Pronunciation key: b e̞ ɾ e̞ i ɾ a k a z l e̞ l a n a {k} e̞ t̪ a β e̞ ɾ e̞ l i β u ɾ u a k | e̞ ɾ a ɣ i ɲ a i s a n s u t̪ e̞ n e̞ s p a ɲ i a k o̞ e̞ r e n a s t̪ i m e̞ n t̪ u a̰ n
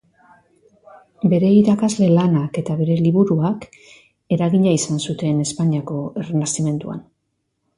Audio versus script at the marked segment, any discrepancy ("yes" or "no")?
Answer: no